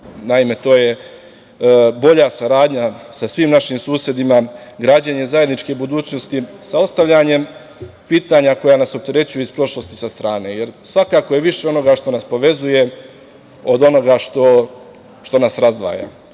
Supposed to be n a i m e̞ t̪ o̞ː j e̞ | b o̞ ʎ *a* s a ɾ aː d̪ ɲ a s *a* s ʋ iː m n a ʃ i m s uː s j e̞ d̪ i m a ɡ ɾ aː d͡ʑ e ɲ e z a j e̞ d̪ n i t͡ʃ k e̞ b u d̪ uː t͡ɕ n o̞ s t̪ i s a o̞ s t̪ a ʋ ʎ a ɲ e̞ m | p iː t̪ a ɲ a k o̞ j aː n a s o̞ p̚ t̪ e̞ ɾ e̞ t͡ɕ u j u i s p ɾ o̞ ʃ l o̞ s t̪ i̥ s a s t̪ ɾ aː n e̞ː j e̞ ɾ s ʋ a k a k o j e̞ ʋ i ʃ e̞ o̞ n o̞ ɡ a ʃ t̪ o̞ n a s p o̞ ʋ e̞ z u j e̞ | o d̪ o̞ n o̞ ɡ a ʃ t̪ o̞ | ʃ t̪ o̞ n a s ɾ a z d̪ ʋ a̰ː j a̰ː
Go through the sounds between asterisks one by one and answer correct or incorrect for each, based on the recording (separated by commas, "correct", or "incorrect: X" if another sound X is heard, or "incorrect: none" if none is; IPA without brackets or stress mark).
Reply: correct, correct